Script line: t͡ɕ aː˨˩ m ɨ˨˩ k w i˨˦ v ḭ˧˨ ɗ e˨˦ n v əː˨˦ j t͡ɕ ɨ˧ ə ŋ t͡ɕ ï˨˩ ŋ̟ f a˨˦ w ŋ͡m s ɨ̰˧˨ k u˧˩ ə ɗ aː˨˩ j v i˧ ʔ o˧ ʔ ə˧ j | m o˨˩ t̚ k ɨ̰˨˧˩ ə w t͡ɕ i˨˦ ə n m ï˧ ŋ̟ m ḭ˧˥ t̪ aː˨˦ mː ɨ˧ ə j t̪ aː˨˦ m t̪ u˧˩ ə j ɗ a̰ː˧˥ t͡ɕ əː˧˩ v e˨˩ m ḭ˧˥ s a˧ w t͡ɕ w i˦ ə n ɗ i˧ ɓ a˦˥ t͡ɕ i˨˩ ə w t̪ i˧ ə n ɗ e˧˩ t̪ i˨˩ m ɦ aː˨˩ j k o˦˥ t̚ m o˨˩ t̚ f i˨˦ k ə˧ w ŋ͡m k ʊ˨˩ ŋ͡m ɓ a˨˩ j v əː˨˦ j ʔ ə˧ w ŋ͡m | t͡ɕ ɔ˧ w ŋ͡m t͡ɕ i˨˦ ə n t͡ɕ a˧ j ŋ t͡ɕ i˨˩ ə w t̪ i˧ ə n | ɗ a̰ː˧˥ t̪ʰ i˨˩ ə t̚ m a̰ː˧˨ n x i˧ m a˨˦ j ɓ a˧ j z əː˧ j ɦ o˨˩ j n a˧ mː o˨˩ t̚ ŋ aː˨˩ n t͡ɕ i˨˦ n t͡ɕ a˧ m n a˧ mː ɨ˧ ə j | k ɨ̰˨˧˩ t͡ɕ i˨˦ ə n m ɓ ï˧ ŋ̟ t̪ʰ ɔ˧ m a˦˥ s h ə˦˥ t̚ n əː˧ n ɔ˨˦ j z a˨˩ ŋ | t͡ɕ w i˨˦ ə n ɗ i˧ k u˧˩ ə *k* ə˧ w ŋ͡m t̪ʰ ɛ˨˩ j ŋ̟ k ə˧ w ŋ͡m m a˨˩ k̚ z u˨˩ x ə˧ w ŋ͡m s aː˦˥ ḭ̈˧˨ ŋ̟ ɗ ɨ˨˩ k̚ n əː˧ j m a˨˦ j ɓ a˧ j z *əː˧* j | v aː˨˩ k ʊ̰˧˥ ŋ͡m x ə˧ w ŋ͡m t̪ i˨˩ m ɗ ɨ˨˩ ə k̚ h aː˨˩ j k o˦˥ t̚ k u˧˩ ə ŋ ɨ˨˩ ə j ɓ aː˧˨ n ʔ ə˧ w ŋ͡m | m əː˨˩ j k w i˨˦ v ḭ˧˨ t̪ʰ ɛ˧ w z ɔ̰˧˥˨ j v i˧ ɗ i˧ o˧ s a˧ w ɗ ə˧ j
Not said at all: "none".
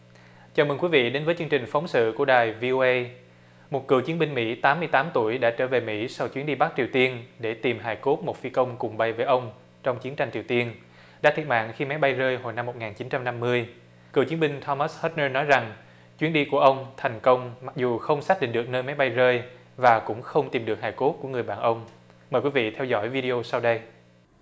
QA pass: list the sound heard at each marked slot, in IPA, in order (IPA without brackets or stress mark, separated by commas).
ʔ, əː˧